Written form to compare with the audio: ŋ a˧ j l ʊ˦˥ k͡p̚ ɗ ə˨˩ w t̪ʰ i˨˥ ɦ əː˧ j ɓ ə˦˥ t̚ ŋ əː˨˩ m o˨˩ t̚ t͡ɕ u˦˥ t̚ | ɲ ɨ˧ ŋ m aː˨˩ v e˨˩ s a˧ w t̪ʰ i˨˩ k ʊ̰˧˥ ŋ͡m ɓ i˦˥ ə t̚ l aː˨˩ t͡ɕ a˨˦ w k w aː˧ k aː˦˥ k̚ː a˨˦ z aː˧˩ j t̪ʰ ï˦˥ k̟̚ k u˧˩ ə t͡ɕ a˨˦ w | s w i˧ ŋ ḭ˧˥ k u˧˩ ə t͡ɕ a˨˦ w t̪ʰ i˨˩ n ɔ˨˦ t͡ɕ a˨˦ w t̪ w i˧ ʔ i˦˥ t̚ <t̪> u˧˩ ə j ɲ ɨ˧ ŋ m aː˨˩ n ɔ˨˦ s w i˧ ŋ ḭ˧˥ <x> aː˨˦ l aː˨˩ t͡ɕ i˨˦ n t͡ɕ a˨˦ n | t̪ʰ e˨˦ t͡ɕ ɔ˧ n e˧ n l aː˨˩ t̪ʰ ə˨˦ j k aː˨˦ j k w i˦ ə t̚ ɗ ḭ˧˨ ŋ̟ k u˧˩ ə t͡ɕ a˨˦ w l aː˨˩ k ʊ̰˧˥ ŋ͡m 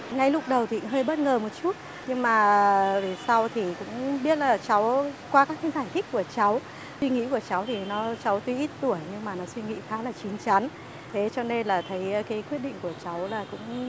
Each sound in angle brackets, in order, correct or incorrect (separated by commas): correct, correct